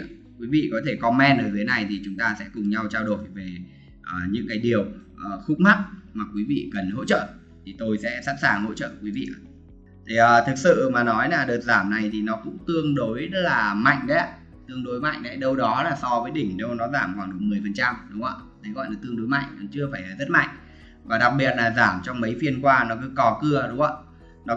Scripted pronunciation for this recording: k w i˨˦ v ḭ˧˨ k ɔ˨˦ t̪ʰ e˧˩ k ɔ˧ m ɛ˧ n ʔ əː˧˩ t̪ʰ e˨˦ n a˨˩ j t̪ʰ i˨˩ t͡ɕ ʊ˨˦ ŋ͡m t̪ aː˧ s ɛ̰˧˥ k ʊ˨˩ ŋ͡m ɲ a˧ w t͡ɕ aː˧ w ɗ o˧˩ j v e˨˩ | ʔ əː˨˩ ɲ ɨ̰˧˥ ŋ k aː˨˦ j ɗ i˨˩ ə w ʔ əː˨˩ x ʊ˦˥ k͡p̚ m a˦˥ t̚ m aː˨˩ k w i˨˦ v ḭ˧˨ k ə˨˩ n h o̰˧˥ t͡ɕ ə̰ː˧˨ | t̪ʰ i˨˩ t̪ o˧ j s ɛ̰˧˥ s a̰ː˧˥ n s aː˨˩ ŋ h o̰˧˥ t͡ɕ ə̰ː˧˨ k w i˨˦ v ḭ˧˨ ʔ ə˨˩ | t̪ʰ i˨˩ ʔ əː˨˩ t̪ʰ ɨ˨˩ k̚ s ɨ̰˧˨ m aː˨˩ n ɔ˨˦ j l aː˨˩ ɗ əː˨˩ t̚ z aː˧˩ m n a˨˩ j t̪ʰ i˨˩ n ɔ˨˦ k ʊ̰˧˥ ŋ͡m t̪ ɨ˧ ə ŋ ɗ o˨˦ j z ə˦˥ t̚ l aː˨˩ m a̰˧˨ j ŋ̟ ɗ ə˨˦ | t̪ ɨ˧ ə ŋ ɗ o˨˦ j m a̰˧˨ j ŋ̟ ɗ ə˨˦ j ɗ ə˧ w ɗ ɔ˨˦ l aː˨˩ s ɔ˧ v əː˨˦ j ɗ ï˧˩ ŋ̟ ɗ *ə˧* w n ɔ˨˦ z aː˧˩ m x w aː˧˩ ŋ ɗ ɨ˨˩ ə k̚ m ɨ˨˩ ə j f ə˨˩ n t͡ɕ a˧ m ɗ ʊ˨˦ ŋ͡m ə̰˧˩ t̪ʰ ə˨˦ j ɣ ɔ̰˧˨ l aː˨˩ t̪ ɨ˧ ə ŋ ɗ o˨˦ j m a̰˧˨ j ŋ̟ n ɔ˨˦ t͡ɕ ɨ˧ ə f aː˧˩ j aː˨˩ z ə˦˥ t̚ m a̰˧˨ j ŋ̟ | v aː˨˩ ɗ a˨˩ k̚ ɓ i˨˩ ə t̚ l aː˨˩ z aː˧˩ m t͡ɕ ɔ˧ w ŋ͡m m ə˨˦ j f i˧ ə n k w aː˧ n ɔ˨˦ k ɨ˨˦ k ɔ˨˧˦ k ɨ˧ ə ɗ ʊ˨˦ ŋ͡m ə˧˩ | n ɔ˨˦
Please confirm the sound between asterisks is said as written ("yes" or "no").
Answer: yes